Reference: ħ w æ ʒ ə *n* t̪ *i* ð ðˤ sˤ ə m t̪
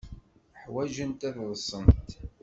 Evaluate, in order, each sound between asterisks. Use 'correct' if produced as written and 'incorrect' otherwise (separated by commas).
correct, incorrect